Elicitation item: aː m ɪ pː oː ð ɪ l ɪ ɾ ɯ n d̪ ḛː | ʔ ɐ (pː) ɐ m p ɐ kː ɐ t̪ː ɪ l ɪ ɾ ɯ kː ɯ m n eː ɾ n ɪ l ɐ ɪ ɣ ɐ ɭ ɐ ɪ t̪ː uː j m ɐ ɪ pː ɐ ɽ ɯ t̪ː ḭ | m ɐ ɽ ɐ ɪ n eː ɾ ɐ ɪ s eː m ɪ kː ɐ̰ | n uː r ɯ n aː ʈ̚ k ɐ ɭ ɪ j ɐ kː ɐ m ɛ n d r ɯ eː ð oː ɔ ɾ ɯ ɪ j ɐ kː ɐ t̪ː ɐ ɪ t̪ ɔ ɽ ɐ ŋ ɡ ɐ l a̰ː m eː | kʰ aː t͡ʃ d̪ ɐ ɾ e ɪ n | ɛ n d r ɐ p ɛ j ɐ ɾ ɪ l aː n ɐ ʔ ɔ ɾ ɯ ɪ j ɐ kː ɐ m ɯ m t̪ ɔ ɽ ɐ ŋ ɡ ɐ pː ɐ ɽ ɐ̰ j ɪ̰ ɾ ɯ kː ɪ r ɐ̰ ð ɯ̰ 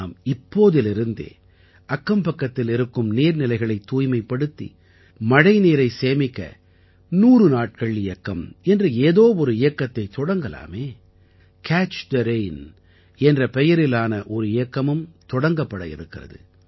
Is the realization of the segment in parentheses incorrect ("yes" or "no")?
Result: yes